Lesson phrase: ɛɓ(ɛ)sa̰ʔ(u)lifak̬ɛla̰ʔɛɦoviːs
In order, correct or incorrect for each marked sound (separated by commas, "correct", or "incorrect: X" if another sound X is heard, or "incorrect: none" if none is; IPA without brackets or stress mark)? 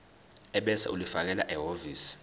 correct, correct